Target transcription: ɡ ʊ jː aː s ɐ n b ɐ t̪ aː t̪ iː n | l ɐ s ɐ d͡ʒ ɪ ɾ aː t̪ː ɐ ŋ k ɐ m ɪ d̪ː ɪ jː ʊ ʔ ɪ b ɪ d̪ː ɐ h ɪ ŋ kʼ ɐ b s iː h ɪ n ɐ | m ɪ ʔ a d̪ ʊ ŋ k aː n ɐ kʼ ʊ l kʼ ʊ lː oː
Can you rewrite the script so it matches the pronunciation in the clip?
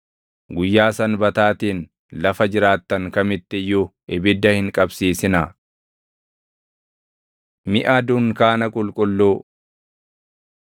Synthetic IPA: ɡ ʊ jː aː s ɐ n b ɐ t̪ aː t̪ iː n | l ɐ f ɐ d͡ʒ ɪ ɾ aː t̪ː ɐ ŋ k ɐ m ɪ t̪ː ɪ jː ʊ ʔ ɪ b ɪ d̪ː ɐ h ɪ ŋ kʼ ɐ b s iː s ɪ n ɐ | m ɪ ʔ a d̪ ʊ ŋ k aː n ɐ kʼ ʊ l kʼ ʊ lː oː